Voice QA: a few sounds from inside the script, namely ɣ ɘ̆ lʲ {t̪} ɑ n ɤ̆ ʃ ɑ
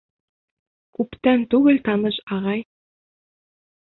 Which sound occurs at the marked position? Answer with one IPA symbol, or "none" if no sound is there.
t̪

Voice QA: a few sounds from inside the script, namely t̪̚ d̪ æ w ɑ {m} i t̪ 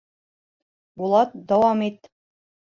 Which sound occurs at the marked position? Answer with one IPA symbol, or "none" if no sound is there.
m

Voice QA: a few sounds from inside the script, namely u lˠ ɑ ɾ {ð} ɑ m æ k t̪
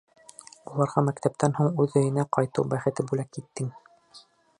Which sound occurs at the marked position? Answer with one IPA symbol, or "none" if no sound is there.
ʁ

